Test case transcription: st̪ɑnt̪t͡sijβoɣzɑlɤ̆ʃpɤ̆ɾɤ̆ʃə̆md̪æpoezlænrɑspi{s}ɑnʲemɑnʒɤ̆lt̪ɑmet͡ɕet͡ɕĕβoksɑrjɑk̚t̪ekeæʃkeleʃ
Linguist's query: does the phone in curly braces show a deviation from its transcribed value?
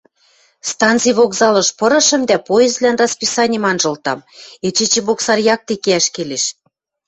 no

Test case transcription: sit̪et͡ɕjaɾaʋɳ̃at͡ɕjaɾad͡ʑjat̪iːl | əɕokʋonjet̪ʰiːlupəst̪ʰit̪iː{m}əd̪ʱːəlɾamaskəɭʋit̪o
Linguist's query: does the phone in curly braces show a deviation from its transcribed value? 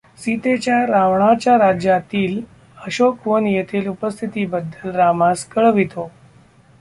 yes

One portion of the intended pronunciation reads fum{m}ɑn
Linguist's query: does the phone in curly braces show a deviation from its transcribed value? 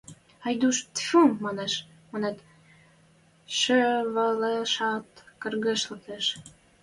no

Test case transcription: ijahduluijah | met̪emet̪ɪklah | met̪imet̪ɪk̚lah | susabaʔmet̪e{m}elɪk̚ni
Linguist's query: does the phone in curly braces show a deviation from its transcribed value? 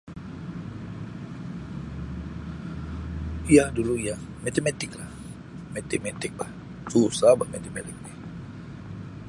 no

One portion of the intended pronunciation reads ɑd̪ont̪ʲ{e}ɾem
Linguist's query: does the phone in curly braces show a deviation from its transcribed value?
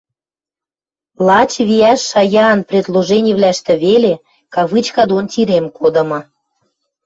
yes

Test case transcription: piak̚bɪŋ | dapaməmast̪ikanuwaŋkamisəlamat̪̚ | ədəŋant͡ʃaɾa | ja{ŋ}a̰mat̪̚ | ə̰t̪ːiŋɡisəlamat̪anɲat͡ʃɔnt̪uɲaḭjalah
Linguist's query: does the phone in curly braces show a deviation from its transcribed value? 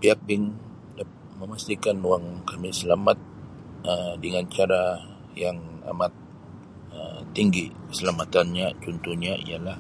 no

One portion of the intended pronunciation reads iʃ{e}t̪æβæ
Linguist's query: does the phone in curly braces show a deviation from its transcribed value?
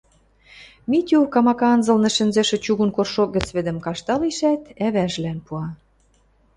yes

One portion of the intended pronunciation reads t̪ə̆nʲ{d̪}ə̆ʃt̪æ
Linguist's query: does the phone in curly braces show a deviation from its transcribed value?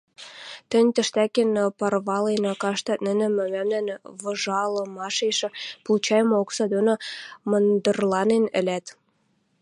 yes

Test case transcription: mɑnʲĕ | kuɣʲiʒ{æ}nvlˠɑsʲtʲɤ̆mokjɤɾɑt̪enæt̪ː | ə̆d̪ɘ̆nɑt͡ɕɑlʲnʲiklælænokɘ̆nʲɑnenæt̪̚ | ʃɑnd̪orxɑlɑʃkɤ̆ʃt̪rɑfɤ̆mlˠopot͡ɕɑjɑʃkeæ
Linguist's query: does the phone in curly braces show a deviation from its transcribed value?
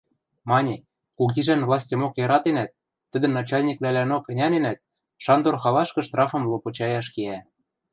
no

